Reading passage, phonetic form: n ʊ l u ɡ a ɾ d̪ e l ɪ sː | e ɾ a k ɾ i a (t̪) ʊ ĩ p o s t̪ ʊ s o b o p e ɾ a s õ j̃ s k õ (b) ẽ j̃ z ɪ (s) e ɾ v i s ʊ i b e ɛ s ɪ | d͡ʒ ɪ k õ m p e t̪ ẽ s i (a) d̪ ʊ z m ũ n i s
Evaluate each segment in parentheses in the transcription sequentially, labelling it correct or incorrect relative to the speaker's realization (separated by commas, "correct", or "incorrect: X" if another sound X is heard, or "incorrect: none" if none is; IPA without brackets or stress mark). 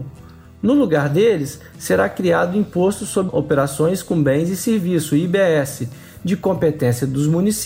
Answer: incorrect: d̪, correct, correct, incorrect: ɐ